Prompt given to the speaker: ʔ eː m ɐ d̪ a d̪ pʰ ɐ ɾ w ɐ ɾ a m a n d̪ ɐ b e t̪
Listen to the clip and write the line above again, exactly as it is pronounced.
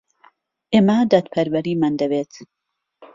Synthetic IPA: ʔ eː m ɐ d̪ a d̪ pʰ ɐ ɾ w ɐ ɾ i m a n d̪ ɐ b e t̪